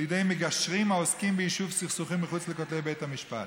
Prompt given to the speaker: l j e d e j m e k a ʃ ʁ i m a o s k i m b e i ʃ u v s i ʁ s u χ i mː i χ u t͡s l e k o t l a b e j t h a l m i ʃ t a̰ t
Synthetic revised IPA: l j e d e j m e ɡ a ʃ ʁ i m a o s k i m b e i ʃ u v s i χ s u χ i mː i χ u t͡s l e k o t l e b e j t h a m i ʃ p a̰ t